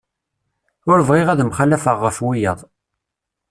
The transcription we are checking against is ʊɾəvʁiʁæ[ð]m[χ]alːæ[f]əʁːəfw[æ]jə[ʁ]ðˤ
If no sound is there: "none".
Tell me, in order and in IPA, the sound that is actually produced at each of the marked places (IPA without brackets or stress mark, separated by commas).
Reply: ð, χ, f, i, none